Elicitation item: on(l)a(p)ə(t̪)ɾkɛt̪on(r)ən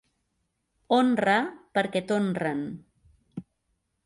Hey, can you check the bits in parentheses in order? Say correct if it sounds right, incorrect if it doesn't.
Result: incorrect: r, correct, incorrect: none, correct

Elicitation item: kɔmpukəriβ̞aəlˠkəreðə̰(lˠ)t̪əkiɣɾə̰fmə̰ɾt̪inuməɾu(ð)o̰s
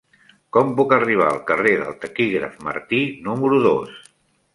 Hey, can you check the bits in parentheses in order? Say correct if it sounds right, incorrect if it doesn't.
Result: correct, correct

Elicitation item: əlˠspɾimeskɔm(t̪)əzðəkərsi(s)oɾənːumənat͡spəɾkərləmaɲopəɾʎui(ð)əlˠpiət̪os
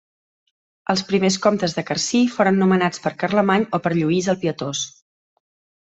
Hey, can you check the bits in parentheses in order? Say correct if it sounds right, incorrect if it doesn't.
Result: correct, incorrect: f, incorrect: z

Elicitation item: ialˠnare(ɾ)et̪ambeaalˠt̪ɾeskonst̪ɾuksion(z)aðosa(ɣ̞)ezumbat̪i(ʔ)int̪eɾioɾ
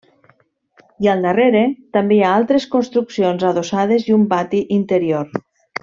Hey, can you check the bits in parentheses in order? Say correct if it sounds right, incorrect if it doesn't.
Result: correct, correct, incorrect: ð̞, correct

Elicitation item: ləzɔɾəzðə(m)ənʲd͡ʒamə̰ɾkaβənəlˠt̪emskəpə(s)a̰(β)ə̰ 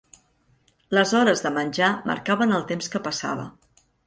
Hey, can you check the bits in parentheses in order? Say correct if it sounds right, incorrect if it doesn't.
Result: correct, correct, correct

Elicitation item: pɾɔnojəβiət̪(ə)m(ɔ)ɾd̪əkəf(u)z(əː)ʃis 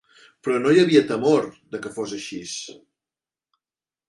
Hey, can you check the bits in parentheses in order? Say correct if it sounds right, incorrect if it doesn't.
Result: correct, incorrect: o, incorrect: o, incorrect: ə

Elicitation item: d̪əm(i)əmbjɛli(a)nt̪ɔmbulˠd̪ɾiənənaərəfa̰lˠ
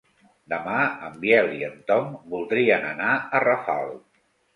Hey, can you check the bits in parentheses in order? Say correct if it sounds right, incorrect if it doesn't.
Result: incorrect: a, incorrect: ə

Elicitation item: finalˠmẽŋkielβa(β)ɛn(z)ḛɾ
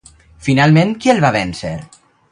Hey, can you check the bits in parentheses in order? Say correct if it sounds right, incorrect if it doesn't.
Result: correct, incorrect: s

